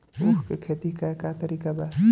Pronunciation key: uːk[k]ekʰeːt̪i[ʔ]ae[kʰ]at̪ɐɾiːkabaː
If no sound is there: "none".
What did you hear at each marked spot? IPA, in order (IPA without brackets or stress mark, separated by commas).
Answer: k, k, k